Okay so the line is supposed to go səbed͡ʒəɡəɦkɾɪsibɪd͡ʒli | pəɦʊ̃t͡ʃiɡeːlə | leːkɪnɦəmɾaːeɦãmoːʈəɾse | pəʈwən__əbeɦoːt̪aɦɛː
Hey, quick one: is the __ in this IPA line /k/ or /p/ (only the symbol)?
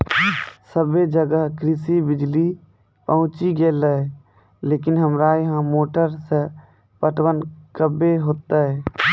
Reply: k